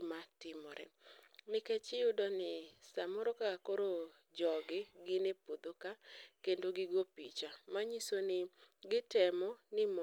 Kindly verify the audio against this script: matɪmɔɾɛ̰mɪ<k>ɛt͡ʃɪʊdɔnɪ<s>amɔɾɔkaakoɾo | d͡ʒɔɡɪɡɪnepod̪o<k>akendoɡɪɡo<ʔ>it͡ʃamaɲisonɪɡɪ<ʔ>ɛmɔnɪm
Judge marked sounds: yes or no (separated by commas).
yes, yes, yes, no, no